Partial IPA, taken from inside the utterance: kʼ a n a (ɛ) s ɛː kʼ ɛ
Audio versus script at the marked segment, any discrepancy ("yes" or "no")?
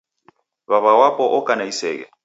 yes